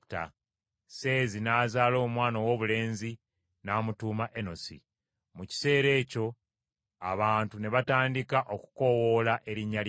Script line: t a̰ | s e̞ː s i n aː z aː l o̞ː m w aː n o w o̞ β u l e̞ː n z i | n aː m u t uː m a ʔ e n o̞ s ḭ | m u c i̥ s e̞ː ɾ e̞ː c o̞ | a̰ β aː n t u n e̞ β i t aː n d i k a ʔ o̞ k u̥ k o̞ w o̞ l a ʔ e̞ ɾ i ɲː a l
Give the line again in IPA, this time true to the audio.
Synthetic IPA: t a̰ | s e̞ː z i n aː z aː l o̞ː m w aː n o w o̞ β u l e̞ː n z i | n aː m u t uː m a ʔ e n o̞ s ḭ | m u c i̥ s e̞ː ɾ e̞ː c o̞ | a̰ β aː n t u n e̞ β a t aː n d i k a ʔ o̞ k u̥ k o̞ w o̞ l a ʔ e̞ ɾ i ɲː a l